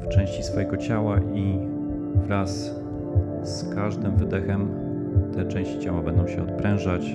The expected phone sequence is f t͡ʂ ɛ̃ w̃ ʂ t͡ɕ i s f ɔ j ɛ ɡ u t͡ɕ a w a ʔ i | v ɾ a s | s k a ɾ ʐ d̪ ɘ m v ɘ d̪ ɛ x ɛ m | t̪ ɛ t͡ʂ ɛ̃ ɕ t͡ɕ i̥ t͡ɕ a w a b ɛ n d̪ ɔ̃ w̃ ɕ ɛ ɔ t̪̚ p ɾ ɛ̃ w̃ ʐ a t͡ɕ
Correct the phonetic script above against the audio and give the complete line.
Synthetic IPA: f t͡ʂ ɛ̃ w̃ ɕ t͡ɕ i s f ɔ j ɛ ɡ ɔ t͡ɕ a w a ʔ i | v ɾ a s | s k a ʐ d̪ ɘ m v ɘ d̪ ɛ x ɛ m | t̪ ɛ t͡ʂ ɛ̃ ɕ t͡ɕ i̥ t͡ɕ a w a b ɛ n d̪ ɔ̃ w̃ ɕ ɛ ɔ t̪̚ p ɾ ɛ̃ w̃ ʐ a t͡ɕ